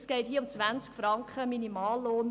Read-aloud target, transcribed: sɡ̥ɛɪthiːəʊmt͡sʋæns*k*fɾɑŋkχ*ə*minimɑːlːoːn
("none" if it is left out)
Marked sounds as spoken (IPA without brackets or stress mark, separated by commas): k, ə